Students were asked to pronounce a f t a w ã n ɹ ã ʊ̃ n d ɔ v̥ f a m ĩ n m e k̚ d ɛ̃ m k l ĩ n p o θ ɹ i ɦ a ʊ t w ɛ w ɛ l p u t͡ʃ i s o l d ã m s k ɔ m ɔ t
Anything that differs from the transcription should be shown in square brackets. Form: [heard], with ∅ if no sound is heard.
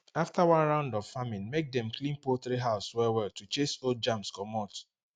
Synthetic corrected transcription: a f t a w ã n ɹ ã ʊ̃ n d ɔ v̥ f a m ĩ n m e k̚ d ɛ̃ m k l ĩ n p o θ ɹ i ɦ a ʊ [s] w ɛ w ɛ l [t] u t͡ʃ [e] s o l [d͡ʒ] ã m s k ɔ m ɔ t